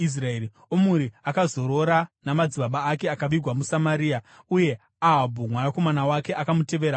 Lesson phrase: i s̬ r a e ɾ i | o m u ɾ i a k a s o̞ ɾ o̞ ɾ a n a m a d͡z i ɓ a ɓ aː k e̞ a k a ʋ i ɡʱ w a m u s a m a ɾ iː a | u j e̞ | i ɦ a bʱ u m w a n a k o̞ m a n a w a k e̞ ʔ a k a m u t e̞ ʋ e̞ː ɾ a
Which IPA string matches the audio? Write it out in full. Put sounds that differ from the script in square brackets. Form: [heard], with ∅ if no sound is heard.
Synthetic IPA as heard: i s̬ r a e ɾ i | o m u ɾ i a k a [z] o̞ ɾ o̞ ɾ a n a m a d͡z i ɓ a ɓ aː k e̞ a k a ʋ i ɡʱ w a m u s a m a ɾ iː a | u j e̞ | [a] ɦ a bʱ u m w a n a k o̞ m a n a w a k e̞ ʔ a k a m u t e̞ ʋ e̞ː ɾ a